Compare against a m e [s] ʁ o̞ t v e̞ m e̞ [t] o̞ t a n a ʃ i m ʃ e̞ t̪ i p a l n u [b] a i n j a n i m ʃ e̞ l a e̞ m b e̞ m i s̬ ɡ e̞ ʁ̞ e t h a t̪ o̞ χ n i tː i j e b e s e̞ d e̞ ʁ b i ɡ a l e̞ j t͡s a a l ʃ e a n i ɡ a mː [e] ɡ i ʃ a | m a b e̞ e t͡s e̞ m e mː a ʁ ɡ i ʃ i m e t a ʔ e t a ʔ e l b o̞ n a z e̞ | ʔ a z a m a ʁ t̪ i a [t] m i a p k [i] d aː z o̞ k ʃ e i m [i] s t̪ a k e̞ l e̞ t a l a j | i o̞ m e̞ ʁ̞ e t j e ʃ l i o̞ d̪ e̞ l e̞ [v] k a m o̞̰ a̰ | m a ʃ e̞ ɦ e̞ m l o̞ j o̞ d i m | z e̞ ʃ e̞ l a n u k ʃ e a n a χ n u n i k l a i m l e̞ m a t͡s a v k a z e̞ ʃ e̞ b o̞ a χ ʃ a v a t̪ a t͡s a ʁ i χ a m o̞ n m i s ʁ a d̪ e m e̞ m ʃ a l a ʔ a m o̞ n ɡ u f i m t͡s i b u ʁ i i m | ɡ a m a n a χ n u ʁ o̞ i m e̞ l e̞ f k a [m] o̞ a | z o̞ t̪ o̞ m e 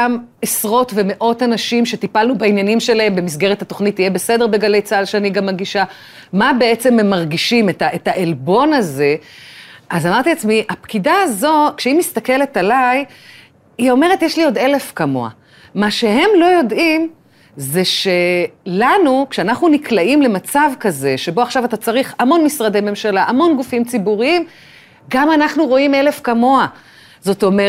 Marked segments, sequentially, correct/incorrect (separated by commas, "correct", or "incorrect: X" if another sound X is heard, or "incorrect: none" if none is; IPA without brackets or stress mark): correct, incorrect: ʔ, correct, incorrect: a, incorrect: t͡s, correct, correct, incorrect: f, correct